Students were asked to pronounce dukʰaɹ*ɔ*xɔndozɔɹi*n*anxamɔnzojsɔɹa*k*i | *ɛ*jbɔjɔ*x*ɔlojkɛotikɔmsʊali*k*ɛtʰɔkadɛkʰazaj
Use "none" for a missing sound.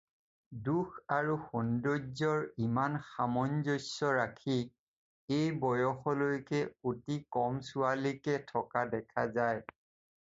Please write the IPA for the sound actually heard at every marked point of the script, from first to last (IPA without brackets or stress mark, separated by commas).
u, m, kʰ, e, x, k